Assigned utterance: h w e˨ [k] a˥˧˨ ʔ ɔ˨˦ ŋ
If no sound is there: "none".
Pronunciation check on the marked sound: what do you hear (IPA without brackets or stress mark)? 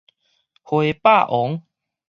p